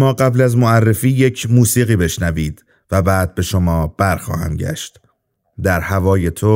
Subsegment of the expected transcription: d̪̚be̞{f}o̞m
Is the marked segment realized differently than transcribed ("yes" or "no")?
yes